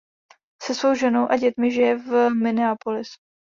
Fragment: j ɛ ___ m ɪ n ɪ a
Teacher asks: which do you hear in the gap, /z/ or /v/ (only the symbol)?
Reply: v